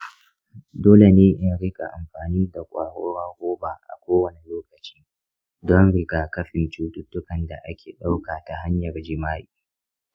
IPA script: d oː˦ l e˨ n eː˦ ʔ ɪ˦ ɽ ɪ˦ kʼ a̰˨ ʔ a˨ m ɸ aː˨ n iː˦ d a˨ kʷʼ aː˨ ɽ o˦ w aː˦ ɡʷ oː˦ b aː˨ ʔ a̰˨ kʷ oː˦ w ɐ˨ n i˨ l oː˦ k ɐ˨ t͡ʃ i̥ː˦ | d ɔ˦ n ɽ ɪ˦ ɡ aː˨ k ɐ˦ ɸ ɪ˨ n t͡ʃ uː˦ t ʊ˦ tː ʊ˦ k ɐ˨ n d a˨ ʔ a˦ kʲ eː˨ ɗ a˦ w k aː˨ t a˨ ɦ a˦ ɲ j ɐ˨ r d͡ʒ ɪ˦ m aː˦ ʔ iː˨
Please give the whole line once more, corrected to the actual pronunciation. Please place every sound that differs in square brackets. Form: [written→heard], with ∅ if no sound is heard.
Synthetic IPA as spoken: d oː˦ l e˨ n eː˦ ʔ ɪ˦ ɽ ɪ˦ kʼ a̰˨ ʔ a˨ m ɸ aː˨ n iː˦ d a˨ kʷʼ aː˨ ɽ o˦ w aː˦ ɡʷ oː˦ b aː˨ ʔ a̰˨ kʷ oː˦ w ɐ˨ n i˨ l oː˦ k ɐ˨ t͡ʃ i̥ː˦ | d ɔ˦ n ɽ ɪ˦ ɡ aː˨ k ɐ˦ ɸ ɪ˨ n t͡ʃ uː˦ t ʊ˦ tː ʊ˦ k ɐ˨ n d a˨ ʔ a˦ kʲ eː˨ ɗ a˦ w k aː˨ t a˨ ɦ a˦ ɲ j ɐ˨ r d͡ʒ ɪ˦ m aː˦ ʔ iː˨